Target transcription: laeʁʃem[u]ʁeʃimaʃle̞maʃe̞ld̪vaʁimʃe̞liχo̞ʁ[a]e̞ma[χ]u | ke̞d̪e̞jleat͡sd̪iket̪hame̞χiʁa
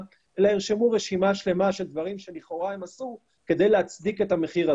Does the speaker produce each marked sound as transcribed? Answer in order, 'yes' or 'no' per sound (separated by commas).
yes, yes, no